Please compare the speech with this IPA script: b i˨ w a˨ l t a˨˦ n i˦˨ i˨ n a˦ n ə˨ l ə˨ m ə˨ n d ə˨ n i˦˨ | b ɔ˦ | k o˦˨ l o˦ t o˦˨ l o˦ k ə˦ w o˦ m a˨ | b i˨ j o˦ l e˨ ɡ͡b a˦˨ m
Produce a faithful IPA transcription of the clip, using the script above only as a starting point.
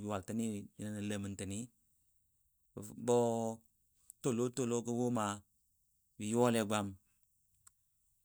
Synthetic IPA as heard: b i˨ w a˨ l t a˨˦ n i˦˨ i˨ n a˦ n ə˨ l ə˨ m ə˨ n t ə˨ n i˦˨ | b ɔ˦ | t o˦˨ l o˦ t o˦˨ l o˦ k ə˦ w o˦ m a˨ | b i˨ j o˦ l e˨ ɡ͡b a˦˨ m